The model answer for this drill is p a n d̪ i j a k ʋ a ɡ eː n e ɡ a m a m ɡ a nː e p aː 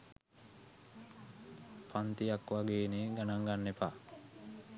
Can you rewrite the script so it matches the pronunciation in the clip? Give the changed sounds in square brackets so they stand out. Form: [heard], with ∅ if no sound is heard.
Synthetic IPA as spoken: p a n [t̪] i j a k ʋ a ɡ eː n e ɡ a [n] a [ŋ] ɡ a nː e p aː